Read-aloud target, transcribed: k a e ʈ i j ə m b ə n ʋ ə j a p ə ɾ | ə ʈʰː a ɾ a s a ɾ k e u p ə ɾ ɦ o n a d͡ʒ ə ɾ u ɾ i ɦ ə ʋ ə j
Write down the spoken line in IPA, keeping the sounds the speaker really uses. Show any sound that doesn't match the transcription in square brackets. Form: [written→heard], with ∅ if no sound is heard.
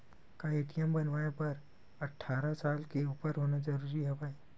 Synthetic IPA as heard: k a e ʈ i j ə m b ə n ʋ [ə→a] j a p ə ɾ | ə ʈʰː a ɾ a s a [ɾ→l] k e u p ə ɾ ɦ o n a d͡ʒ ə ɾ u ɾ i ɦ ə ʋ [ə→a] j